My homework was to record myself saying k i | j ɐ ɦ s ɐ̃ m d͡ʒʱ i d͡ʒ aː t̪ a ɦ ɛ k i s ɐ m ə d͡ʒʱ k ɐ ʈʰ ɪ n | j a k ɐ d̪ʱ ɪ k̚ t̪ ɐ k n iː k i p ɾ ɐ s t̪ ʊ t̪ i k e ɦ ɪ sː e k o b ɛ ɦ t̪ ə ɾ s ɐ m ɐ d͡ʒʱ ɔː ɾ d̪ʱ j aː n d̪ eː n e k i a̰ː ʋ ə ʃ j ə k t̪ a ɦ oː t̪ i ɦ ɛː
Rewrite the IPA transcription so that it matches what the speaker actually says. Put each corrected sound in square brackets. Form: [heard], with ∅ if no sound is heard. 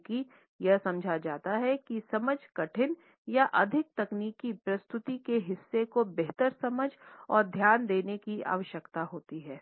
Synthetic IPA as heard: k i | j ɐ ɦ s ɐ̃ m d͡ʒʱ [a] d͡ʒ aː t̪ a ɦ ɛ k i s ɐ m ə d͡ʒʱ k ɐ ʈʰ ɪ n | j a [ʔ] ɐ d̪ʱ ɪ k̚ t̪ ɐ k n iː k i p ɾ ɐ s t̪ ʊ t̪ i k e ɦ ɪ sː e k o b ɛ ɦ t̪ ə ɾ s ɐ m [ə] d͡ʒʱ ɔː ɾ d̪ʱ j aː n d̪ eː n e k i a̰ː ʋ ə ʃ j ə k t̪ a ɦ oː t̪ i ɦ ɛː